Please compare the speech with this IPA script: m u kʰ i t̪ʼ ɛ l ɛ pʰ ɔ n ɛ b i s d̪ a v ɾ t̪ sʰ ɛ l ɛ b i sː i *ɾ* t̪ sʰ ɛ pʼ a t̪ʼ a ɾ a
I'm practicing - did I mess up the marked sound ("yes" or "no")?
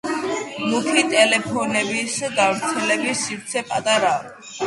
no